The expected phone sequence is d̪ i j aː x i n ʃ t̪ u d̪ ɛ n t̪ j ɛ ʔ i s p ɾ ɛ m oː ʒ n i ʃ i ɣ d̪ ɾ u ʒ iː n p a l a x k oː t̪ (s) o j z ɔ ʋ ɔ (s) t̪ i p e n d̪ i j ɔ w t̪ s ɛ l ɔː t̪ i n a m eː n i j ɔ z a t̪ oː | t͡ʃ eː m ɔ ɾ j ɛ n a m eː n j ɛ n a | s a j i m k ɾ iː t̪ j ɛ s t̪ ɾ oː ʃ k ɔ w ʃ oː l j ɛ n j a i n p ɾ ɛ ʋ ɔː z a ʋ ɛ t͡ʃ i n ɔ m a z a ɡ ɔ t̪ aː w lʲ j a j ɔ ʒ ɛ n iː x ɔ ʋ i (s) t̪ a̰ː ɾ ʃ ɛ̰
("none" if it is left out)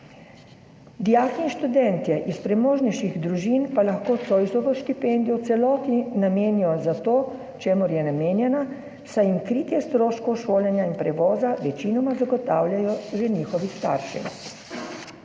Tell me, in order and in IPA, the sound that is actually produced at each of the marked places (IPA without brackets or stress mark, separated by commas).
s, ʃ, s